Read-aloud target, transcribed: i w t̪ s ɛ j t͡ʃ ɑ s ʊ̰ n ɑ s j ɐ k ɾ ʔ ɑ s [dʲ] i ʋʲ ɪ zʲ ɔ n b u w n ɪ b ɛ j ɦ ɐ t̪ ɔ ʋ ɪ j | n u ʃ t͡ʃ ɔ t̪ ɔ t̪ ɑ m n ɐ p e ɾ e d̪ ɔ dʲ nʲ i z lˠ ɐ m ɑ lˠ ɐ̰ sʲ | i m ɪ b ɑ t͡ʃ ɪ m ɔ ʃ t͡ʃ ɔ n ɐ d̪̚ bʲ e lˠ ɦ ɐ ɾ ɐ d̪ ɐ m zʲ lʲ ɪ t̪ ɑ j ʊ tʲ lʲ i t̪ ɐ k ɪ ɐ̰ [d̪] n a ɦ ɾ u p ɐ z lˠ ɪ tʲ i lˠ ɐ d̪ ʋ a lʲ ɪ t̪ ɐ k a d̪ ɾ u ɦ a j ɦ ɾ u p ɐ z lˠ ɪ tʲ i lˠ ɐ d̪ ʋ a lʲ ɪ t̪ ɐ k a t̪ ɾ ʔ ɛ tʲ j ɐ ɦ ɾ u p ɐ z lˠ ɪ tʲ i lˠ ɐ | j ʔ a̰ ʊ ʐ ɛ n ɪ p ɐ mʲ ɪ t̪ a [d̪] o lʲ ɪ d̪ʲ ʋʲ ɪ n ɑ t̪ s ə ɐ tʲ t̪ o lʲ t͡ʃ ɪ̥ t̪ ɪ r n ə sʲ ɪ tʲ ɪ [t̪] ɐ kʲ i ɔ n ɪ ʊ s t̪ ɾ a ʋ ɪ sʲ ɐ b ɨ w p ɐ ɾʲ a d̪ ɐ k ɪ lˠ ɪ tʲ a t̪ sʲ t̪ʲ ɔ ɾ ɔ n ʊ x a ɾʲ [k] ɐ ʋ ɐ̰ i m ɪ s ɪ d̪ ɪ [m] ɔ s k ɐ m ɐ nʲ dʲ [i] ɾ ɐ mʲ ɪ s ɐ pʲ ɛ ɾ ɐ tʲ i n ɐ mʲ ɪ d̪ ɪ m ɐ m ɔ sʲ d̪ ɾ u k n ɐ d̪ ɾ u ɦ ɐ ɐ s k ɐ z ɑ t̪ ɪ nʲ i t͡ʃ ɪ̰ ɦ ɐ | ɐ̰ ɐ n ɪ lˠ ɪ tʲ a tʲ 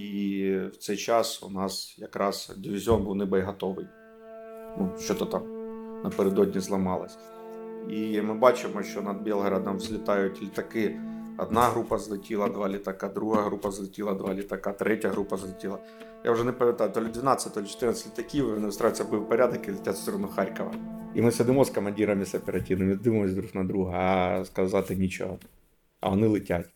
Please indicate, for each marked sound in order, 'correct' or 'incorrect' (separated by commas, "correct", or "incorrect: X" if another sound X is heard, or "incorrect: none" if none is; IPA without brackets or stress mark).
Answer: correct, correct, incorrect: t̪, correct, correct, correct, correct